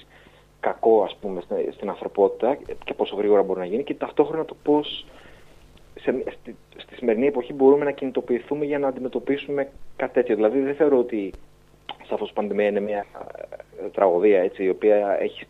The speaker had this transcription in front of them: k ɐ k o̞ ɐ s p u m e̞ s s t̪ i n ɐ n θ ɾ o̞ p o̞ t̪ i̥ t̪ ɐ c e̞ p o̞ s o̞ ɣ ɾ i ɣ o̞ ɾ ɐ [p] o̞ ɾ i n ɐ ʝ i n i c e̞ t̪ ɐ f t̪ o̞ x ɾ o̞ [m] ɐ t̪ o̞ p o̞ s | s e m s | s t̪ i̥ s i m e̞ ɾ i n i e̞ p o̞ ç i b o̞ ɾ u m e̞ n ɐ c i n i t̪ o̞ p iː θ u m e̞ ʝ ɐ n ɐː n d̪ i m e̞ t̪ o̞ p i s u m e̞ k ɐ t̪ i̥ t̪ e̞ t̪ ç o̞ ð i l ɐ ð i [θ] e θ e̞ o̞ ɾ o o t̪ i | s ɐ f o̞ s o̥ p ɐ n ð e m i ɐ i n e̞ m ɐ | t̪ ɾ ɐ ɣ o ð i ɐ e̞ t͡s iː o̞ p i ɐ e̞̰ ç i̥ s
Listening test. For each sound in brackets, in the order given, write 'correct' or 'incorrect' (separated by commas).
incorrect, incorrect, incorrect